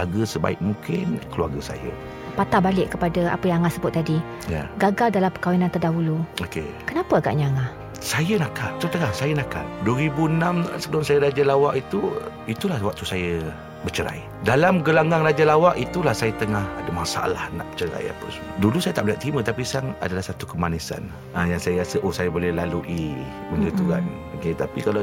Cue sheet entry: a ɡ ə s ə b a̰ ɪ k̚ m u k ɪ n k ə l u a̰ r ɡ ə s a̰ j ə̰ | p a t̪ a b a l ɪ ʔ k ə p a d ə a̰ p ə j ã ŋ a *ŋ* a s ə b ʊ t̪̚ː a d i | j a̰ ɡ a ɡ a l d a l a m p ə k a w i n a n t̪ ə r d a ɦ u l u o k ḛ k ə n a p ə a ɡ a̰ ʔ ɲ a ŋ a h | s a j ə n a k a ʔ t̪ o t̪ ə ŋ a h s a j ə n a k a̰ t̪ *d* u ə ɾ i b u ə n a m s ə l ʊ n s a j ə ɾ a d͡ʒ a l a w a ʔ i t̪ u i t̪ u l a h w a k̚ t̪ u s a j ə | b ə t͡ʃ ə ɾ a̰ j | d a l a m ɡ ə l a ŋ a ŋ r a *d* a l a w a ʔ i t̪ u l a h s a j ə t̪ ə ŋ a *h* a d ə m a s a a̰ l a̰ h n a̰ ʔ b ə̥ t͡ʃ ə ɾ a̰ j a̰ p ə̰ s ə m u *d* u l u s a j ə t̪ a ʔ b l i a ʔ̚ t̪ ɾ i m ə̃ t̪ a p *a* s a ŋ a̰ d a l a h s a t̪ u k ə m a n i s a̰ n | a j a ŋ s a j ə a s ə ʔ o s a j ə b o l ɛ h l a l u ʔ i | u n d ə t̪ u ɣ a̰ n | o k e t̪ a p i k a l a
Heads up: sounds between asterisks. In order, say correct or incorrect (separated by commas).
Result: correct, correct, incorrect, correct, correct, incorrect